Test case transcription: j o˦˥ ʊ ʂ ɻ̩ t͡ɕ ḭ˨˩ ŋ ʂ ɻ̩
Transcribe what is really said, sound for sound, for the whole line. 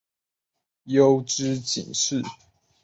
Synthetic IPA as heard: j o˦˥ ʊ ʈ͡ʂ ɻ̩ t͡ɕ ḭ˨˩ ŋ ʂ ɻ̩